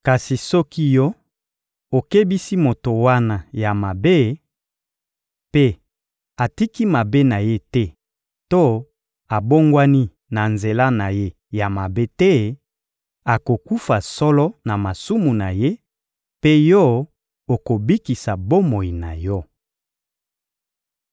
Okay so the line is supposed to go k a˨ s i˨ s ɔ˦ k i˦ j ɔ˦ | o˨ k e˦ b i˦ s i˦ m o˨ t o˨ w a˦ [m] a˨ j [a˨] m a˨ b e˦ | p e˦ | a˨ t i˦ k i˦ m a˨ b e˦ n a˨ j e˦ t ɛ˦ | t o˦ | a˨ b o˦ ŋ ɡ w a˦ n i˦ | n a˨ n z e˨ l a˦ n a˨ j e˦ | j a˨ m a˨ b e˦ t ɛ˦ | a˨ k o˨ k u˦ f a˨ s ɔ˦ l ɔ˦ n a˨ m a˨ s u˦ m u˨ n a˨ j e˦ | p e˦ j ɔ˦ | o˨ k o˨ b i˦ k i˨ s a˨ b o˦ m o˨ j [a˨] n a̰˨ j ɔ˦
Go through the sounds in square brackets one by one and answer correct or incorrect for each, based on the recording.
incorrect, correct, incorrect

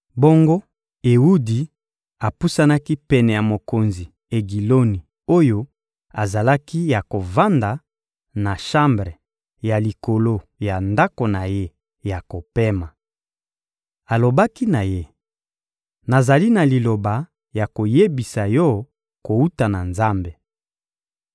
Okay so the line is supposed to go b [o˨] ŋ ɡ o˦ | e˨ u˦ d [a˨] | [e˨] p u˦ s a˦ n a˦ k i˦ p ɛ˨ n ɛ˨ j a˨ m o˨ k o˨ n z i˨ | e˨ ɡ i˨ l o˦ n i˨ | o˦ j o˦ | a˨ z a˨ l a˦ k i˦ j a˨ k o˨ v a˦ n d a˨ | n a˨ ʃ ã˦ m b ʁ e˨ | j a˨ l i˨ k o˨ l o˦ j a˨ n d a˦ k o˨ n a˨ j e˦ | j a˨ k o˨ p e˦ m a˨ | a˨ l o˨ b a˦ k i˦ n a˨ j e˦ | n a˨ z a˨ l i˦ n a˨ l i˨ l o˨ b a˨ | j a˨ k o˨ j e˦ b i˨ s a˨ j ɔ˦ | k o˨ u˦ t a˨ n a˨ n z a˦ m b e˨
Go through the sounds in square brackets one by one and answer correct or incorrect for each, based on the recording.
incorrect, incorrect, incorrect

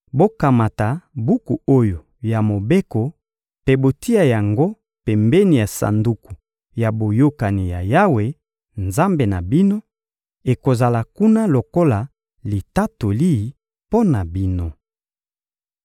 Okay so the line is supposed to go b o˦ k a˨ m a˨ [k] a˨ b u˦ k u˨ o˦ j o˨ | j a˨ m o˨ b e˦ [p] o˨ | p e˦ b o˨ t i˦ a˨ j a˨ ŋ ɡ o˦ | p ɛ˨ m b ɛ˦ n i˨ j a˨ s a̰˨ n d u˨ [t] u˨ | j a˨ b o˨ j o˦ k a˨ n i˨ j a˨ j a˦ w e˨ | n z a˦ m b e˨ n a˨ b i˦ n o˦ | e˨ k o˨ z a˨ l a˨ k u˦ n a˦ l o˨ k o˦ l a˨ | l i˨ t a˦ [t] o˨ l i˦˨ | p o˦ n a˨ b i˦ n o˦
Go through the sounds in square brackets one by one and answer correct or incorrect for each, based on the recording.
incorrect, incorrect, incorrect, correct

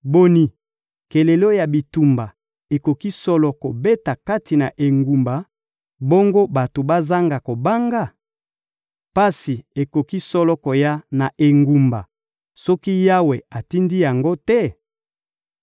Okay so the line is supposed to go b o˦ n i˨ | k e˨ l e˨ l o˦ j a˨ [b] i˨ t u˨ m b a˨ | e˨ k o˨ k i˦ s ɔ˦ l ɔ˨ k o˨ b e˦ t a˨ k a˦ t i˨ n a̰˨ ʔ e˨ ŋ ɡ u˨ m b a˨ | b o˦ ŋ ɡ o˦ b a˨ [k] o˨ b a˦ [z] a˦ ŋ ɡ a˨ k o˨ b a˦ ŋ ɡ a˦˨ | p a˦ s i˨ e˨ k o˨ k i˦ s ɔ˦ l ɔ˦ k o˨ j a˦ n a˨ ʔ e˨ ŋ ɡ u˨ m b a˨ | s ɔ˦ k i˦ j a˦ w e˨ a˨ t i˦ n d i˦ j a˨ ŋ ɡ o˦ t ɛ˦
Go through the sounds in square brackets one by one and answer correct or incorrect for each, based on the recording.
correct, incorrect, correct

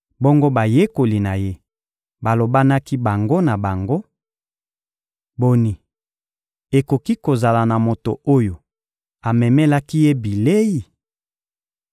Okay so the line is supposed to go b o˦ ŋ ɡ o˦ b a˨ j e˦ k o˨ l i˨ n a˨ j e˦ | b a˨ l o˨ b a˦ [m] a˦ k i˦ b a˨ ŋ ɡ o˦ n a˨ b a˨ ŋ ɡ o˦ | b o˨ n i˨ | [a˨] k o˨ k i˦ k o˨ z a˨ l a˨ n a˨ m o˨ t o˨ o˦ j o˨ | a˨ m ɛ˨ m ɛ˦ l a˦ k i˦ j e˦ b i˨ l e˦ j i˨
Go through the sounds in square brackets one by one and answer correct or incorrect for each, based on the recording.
incorrect, incorrect

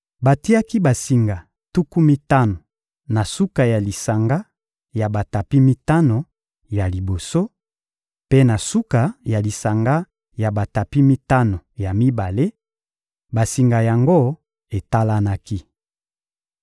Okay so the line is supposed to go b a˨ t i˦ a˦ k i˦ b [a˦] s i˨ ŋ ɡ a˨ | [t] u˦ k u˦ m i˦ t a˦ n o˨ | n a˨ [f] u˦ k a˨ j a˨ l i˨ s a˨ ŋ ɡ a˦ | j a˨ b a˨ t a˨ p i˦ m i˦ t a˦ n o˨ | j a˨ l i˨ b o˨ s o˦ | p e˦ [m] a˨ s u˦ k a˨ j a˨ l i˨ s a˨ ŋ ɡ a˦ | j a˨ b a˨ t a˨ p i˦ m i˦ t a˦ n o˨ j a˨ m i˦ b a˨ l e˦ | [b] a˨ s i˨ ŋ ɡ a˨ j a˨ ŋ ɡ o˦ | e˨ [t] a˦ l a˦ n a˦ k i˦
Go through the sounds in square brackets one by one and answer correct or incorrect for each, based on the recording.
incorrect, correct, incorrect, incorrect, correct, correct

